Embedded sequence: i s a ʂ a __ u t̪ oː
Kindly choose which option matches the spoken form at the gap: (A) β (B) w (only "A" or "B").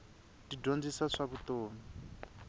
A